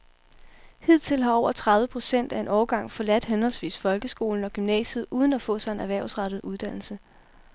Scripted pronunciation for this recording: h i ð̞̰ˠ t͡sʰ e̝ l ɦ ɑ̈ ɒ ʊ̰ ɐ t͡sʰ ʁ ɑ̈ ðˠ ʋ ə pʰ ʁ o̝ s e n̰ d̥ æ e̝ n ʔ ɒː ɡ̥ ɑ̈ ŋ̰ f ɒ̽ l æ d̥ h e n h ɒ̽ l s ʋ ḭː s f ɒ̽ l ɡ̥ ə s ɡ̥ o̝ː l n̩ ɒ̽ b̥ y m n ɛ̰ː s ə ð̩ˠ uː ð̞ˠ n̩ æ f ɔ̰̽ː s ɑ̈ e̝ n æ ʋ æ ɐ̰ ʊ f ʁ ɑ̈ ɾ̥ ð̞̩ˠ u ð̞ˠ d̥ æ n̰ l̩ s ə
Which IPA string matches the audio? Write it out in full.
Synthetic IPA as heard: h i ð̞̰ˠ t͡sʰ e̝ l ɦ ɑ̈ ɒ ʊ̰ ɐ t͡sʰ ʁ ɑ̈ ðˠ ʋ ə pʰ ʁ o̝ s e n̰ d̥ æ e̝ n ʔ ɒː ɡ̥ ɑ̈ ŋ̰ f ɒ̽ l æ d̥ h e n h ɒ̽ l s ʋ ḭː s f ɒ̽ l ɡ̥ ə s ɡ̥ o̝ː l n̩ ɒ̽ ɡ̥ y m n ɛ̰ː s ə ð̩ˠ uː ð̞ˠ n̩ æ f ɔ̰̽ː s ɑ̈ e̝ n æ ʋ æ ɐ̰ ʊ s ʁ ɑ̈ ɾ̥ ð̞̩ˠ u ð̞ˠ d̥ æ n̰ l̩ s ə